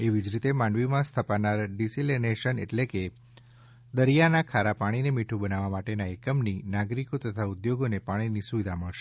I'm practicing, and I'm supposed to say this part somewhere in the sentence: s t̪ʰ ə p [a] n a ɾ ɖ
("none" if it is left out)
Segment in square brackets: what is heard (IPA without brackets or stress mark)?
a